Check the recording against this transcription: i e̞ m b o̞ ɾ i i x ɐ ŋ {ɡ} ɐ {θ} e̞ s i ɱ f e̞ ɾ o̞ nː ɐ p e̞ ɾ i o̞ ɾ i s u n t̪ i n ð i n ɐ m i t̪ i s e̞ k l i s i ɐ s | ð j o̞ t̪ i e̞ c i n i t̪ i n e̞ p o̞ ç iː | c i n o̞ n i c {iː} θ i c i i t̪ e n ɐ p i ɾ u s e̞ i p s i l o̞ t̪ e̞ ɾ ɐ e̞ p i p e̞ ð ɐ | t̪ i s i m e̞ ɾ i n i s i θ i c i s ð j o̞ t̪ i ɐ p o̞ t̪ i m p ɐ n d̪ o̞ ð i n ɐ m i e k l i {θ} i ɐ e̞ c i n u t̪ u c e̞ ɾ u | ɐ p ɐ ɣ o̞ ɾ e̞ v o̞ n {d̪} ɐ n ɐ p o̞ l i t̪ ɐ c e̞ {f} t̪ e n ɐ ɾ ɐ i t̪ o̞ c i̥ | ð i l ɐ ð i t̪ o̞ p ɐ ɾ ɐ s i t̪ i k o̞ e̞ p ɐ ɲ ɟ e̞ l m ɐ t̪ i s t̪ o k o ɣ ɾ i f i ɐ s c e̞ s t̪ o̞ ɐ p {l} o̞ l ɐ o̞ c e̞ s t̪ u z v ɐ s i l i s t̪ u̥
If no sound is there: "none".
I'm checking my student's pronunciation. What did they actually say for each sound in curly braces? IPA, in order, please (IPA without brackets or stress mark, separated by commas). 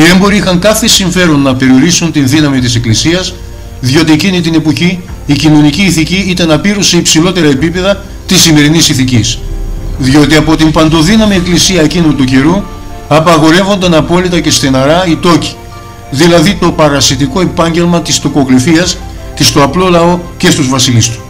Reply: k, θ, iː, s, d̪, s, l